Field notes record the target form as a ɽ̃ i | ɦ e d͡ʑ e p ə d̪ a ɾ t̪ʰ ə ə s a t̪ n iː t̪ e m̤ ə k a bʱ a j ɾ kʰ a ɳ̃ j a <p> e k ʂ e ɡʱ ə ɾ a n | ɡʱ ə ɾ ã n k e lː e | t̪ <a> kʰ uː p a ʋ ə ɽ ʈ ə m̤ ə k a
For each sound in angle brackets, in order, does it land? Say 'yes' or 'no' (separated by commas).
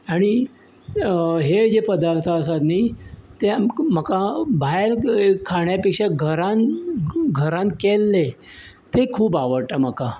yes, no